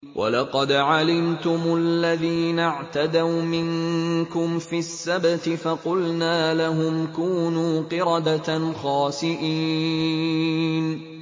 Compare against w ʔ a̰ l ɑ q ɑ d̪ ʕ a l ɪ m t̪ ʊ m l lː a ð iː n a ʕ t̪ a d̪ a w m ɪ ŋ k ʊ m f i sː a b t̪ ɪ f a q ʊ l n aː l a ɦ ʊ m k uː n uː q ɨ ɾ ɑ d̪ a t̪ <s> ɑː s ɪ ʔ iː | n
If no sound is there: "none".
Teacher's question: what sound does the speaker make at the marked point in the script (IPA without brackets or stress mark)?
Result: x